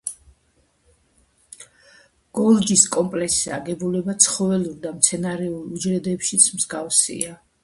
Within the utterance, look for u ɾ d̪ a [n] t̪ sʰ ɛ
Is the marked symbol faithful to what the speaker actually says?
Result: no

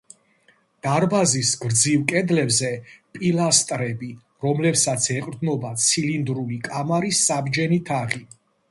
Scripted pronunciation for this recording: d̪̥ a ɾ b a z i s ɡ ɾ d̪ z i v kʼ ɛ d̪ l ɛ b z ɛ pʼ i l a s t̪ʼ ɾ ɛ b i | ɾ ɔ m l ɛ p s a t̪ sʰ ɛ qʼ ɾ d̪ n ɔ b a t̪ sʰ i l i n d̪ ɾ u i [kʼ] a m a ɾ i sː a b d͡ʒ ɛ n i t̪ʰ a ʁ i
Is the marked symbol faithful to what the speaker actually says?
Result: yes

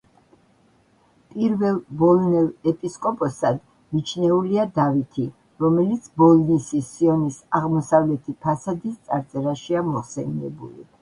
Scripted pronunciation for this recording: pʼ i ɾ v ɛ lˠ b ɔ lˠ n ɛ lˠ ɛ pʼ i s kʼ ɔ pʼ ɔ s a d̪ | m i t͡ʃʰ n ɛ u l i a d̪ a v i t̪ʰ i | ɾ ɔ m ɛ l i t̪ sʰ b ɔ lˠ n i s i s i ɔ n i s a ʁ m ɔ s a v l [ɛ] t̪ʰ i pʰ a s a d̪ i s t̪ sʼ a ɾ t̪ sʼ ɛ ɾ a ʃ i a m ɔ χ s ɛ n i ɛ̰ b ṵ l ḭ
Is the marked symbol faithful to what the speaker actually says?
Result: yes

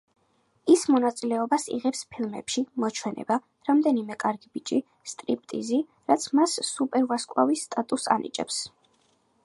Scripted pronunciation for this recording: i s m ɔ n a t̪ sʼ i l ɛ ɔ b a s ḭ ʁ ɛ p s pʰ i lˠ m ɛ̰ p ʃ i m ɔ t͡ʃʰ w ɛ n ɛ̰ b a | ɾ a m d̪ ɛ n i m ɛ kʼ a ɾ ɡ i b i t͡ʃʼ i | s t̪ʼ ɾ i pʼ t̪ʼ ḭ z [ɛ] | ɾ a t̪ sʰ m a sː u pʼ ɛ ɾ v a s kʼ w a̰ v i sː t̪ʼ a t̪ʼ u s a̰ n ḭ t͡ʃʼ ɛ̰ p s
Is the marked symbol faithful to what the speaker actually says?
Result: no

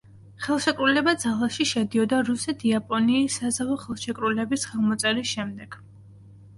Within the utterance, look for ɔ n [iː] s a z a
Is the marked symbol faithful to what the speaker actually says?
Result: yes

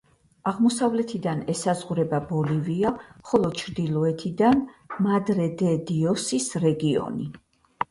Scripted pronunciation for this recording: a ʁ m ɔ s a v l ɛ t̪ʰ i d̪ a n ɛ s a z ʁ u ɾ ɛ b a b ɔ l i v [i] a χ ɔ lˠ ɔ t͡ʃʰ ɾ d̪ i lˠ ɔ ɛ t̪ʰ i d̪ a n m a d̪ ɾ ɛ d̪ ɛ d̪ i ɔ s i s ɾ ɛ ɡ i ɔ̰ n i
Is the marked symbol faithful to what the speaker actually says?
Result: yes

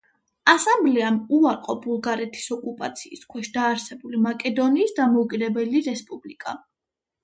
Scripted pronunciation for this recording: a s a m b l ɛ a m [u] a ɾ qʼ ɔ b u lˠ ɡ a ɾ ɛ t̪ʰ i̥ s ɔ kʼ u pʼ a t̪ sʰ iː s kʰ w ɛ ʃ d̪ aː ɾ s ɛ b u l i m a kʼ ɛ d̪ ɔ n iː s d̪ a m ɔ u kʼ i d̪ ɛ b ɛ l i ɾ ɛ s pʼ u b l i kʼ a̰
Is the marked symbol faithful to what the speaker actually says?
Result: yes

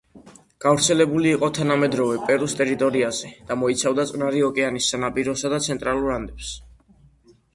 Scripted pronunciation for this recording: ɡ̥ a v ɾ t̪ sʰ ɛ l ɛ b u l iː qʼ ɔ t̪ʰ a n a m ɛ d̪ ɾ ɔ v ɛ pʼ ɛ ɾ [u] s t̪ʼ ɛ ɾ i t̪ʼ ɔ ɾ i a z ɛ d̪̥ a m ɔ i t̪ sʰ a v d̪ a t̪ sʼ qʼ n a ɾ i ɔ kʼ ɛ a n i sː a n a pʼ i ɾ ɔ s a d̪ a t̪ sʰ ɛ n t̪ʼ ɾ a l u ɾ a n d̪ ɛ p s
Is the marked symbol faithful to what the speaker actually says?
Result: yes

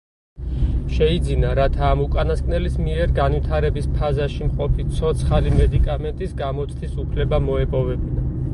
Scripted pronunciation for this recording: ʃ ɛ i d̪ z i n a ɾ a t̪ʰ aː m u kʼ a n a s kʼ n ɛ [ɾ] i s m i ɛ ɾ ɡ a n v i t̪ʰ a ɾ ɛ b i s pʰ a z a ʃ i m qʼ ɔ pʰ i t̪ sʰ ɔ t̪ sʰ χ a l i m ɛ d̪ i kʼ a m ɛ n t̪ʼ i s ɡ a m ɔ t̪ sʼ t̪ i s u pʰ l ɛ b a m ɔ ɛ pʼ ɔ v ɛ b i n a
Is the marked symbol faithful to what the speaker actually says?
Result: no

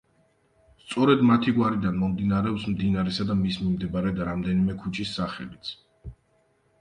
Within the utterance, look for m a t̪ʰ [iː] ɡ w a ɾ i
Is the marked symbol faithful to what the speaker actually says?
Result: no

